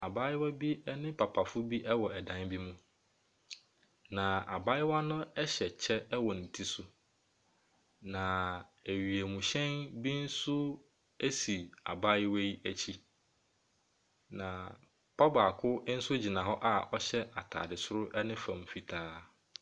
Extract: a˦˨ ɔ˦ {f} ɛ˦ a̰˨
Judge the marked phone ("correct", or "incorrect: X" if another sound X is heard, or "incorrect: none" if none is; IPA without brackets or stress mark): incorrect: ɕ